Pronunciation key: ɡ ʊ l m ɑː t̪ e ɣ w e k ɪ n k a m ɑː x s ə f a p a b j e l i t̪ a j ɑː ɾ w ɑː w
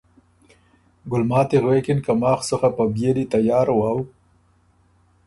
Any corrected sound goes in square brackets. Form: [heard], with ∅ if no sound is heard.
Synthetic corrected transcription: ɡ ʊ l m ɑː t̪ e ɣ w e k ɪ n k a m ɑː x s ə [x] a p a b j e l i t̪ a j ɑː ɾ w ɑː w